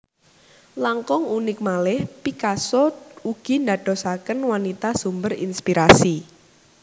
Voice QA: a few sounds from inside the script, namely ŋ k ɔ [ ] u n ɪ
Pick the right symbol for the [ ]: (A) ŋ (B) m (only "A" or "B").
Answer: A